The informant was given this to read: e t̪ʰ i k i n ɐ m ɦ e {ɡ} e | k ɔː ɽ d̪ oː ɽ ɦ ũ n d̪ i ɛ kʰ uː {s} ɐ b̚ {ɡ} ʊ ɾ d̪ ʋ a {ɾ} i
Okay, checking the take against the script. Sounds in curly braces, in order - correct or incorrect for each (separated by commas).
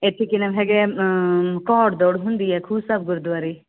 correct, correct, correct, correct